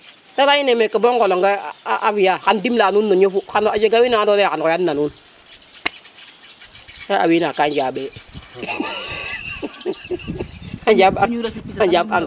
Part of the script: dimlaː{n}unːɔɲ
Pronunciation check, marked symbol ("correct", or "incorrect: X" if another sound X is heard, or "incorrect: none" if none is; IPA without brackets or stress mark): correct